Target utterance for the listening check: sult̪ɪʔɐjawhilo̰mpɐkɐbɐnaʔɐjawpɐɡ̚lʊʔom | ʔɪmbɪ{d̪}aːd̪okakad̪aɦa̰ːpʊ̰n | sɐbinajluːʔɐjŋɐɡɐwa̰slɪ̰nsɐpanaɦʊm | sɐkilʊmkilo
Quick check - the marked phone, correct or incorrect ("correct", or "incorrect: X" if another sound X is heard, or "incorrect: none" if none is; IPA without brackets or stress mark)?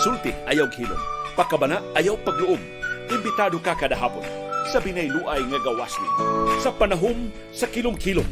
incorrect: t̪